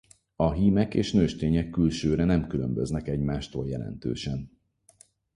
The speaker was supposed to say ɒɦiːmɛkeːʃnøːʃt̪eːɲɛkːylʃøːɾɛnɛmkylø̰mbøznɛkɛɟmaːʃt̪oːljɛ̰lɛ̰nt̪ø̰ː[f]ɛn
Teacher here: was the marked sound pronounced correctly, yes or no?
no